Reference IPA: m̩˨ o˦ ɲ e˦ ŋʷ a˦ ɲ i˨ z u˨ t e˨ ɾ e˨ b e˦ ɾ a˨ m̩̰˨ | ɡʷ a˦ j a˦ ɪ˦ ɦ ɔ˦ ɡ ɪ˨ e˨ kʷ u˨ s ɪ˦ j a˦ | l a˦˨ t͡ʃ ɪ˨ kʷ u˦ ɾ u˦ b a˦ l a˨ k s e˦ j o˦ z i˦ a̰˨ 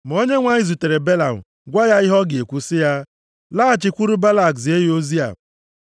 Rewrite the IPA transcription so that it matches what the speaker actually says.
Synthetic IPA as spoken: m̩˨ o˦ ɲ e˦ ŋʷ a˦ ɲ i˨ z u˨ t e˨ ɾ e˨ b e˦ l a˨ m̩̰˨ | ɡʷ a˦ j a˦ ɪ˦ ɦ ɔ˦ ɡ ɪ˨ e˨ kʷ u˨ s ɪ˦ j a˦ | l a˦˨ t͡ʃ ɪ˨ kʷ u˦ ɾ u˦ b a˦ l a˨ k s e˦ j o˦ z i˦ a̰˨